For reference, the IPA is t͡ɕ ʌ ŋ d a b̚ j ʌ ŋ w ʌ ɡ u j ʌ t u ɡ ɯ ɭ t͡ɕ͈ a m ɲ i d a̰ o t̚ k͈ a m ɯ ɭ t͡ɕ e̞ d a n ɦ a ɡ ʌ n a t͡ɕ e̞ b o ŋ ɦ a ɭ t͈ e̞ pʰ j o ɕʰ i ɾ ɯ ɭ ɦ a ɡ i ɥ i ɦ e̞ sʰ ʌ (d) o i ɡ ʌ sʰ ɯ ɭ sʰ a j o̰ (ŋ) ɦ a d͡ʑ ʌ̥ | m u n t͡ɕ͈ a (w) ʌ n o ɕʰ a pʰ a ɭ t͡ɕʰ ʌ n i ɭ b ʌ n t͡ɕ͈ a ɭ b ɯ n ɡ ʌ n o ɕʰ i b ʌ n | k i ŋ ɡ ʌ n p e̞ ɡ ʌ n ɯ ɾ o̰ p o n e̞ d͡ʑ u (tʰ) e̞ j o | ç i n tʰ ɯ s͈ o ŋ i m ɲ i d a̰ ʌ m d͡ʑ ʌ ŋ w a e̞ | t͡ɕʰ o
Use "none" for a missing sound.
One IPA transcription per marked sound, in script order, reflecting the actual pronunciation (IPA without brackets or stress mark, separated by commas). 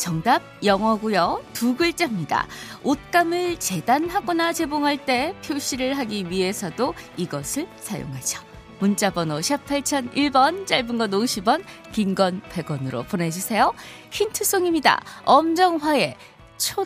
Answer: d, ŋ, b, sʰ